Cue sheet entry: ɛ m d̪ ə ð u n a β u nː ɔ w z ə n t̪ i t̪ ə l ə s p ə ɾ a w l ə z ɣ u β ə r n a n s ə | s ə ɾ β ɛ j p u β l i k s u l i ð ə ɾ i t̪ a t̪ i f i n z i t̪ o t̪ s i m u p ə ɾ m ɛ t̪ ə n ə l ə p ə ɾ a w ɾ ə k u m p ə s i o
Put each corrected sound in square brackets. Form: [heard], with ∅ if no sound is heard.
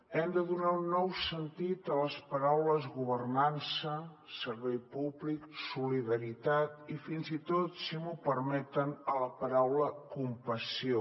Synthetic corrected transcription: ɛ m d̪ ə ð u n a [∅] u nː ɔ w [s] ə n t̪ i t̪ ə l ə s p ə ɾ a w l ə z ɣ u β ə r n a n s ə | s ə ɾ β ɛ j p u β l i k s u l i ð ə ɾ i t̪ a t̪ i f i n z i t̪ o t̪ s i m u p ə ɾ m ɛ t̪ ə n ə l ə p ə ɾ a w [l] ə k u m p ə s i o